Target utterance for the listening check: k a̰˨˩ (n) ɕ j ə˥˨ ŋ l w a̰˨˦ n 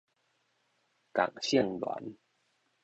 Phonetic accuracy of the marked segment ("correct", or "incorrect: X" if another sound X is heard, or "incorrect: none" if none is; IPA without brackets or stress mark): incorrect: ŋ